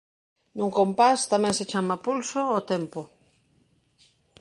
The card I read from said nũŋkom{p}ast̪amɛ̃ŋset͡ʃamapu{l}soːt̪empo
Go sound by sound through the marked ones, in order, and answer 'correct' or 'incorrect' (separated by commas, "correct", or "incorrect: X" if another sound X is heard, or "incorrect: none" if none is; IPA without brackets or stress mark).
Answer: correct, correct